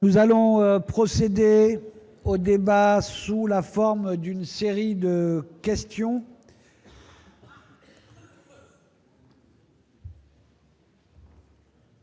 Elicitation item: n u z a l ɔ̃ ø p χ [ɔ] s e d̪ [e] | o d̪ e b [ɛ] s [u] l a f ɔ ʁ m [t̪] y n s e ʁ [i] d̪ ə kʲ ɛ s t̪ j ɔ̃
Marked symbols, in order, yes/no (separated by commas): yes, yes, no, yes, no, yes